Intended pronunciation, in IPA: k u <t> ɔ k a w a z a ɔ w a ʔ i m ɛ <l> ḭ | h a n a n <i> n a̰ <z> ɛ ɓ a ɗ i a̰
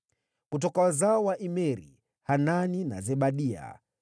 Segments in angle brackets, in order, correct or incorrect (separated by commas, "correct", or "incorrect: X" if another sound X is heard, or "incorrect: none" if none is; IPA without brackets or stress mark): correct, incorrect: ɾ, correct, correct